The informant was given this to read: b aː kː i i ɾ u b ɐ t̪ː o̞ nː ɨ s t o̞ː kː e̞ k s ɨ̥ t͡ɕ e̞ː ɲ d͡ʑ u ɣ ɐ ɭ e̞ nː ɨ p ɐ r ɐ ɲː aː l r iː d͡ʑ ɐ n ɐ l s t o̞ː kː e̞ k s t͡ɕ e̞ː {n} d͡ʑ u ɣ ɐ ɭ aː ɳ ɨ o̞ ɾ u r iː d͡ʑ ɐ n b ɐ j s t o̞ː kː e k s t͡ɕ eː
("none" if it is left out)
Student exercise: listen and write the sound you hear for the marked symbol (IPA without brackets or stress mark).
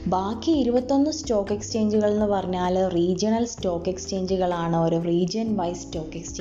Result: ɲ